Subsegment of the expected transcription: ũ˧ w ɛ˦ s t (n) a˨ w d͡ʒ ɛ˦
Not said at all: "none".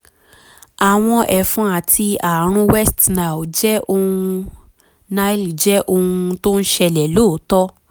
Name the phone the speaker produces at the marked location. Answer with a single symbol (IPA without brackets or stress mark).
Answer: n